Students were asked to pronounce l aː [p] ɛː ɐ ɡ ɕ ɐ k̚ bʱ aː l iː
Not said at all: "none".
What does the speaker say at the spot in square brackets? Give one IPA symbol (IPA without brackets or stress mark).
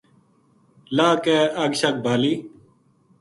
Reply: k